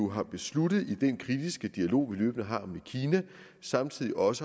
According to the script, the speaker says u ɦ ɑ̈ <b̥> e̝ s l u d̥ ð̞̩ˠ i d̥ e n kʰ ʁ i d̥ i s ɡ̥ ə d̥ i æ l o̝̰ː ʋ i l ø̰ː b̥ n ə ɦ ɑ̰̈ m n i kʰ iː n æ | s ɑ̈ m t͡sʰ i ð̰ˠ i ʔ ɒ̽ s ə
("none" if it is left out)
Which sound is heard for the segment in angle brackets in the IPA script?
b̥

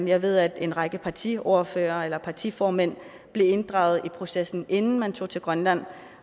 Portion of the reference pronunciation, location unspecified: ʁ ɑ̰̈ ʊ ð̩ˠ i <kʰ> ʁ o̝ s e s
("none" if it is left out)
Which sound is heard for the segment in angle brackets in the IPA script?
pʰ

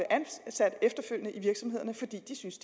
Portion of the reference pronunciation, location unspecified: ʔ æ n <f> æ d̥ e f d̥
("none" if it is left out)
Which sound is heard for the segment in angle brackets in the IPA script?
s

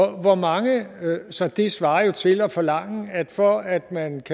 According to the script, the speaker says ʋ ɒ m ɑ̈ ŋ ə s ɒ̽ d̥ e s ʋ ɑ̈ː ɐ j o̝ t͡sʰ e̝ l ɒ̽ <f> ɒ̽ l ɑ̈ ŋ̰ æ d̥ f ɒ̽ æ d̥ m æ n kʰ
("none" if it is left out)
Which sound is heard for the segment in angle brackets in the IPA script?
f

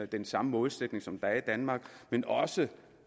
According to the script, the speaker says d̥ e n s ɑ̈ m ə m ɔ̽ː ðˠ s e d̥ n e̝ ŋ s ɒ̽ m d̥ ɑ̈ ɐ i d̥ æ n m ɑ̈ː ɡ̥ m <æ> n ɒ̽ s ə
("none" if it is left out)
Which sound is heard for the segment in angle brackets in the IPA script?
e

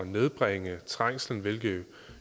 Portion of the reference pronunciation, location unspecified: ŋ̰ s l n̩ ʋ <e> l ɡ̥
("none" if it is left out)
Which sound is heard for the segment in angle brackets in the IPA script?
e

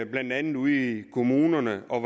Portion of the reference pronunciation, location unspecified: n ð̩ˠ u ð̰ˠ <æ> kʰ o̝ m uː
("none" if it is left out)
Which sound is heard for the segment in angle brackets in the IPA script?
i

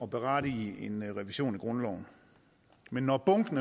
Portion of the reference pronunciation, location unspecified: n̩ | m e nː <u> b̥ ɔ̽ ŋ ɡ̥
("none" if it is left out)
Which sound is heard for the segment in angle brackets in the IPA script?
ɒ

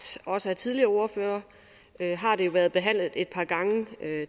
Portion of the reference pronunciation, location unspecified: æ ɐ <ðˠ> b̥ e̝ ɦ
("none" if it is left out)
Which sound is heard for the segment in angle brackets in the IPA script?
ðˠ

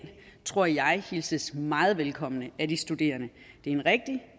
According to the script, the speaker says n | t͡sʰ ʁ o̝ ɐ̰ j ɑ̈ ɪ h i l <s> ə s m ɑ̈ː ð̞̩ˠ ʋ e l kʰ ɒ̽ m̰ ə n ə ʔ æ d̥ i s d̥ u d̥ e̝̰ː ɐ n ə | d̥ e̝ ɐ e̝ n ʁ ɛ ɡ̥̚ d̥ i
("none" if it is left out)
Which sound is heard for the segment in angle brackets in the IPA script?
s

